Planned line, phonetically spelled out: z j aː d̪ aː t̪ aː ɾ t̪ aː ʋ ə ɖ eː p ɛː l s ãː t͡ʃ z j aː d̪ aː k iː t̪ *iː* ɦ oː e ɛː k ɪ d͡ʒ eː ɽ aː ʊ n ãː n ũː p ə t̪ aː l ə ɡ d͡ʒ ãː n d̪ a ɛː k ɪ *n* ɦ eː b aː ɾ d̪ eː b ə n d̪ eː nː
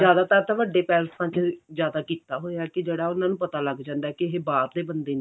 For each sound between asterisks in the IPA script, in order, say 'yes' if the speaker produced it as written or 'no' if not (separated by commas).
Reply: no, no